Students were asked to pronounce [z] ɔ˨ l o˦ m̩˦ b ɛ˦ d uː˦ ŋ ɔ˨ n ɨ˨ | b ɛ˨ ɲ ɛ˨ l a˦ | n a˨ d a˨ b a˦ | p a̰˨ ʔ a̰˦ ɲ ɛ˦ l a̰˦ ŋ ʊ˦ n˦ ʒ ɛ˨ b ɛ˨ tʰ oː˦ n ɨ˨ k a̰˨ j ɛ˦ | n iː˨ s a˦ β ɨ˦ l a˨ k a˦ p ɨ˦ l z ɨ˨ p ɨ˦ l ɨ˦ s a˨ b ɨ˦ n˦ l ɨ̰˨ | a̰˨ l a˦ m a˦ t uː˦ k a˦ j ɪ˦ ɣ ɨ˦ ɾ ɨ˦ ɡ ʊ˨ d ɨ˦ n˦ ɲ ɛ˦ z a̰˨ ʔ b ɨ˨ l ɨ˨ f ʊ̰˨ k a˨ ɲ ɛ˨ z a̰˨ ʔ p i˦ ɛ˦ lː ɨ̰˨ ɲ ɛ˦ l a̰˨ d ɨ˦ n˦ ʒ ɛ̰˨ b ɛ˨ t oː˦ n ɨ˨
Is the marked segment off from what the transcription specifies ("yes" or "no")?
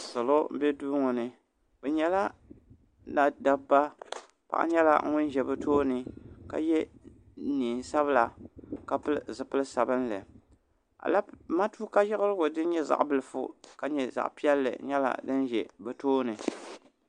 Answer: yes